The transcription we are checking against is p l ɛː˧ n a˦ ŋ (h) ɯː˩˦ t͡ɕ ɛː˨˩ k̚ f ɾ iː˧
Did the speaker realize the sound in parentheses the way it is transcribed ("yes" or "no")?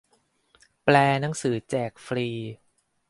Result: no